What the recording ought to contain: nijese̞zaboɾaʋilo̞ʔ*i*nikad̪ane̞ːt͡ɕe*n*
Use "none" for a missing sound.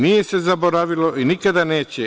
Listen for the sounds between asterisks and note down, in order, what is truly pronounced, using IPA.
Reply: i, none

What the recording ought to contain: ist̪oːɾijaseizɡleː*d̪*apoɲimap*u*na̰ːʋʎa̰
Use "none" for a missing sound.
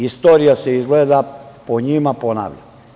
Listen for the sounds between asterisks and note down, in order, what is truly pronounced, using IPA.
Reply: d̪, o

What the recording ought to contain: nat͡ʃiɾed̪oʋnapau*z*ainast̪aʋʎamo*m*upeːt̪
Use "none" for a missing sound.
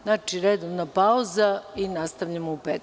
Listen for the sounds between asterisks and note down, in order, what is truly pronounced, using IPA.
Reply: z, none

